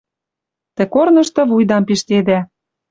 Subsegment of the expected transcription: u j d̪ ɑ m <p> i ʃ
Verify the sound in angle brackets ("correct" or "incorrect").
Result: correct